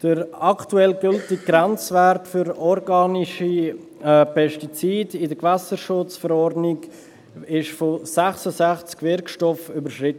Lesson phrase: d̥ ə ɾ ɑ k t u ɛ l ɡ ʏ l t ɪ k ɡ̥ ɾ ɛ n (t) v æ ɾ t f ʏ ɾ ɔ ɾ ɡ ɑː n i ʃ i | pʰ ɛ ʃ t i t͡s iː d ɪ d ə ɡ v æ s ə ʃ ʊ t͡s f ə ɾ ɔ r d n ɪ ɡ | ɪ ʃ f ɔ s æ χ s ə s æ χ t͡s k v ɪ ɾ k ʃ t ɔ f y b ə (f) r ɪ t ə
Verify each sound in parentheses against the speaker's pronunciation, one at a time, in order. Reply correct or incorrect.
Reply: incorrect: t͡s, incorrect: ʃ

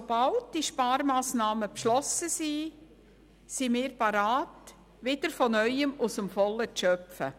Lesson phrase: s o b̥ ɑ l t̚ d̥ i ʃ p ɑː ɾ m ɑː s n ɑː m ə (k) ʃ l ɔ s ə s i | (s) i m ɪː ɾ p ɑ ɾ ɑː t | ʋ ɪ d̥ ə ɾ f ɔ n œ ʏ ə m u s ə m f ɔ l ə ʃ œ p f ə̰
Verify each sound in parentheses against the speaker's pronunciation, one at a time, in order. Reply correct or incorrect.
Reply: incorrect: p, correct

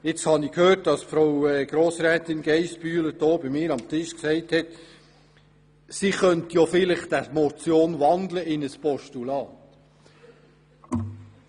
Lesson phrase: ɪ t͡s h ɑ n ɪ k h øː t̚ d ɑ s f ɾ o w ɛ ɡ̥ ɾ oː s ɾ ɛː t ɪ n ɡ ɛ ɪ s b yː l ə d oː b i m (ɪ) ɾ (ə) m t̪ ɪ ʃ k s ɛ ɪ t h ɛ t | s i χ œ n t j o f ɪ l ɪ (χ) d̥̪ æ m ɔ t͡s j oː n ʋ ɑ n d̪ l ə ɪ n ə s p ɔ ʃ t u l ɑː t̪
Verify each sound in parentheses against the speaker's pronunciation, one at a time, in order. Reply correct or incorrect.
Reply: incorrect: ɪː, incorrect: ɑ, correct

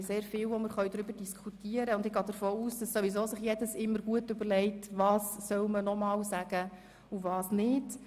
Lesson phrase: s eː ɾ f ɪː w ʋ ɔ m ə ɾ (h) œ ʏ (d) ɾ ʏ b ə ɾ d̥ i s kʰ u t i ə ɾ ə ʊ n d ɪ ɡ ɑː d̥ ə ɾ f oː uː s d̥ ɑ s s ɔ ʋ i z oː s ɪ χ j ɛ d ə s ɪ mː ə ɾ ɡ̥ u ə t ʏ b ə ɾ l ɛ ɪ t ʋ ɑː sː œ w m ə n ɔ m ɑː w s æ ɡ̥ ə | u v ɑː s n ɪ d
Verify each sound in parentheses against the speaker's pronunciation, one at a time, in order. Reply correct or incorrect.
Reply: incorrect: χ, correct

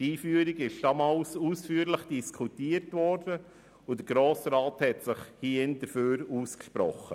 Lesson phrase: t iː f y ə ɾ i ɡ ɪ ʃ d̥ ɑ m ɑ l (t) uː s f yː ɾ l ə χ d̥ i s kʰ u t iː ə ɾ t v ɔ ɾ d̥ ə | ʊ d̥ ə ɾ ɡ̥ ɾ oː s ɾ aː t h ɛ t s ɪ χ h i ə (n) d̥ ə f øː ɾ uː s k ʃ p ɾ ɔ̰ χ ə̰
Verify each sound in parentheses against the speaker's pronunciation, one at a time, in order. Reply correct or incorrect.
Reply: incorrect: s, correct

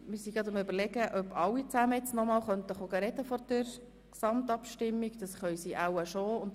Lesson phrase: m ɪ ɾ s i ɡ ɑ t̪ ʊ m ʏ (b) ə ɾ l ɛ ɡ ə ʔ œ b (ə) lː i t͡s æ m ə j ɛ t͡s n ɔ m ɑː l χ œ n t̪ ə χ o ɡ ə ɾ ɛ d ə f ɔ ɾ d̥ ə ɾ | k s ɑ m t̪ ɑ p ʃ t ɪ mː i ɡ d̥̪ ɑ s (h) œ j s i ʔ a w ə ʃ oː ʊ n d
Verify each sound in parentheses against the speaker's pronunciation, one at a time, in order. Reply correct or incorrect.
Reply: correct, incorrect: ɑ, incorrect: χ

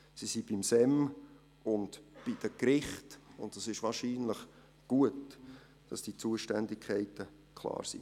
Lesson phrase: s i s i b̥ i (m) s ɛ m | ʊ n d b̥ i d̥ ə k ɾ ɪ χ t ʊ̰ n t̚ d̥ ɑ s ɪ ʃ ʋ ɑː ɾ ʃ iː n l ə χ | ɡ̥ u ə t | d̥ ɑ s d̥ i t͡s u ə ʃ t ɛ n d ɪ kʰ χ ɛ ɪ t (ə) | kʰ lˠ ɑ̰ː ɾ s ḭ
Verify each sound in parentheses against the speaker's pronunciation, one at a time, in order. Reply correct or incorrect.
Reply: correct, correct

